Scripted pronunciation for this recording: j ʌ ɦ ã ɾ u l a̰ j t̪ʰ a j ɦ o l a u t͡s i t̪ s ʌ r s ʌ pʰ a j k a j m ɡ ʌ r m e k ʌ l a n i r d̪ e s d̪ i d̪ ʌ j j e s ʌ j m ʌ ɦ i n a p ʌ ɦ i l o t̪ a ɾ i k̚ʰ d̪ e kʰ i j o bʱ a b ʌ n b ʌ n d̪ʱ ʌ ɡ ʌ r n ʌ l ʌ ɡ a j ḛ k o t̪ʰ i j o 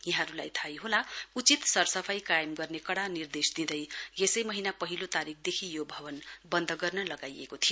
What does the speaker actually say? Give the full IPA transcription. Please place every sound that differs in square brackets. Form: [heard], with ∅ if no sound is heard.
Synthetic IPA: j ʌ ɦ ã ɾ u l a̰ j t̪ʰ a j ɦ o l a u t͡s i t̪ s ʌ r s ʌ pʰ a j k a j m ɡ ʌ r [n] e k ʌ [ɽ] a n i r d̪ e s d̪ i d̪ ʌ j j e s ʌ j m ʌ ɦ i n a p ʌ ɦ i l o t̪ a ɾ i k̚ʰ d̪ e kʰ i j o bʱ [ʌ] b ʌ n b ʌ n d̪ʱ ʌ ɡ ʌ r n ʌ l ʌ ɡ a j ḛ k o t̪ʰ i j o